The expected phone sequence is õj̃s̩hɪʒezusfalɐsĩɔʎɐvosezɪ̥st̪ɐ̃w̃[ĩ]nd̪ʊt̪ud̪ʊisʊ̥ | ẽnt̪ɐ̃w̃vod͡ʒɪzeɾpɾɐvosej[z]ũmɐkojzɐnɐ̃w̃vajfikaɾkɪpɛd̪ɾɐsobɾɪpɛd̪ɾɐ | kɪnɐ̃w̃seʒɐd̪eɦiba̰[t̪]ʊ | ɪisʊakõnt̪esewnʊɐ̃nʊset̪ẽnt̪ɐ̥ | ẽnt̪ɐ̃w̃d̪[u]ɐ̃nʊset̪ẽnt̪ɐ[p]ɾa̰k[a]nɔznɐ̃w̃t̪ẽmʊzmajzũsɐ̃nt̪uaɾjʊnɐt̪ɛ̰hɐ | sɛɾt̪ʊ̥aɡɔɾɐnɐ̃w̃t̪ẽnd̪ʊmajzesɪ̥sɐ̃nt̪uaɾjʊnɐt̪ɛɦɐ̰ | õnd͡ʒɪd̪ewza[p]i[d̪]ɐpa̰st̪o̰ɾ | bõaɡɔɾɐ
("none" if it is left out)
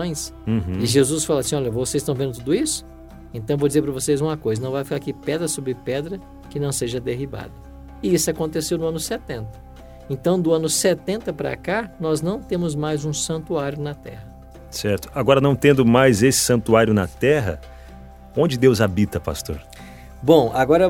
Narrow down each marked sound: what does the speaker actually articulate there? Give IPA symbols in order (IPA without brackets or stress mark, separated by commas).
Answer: ẽ, z, d̪, ʊ, p, a, b, t̪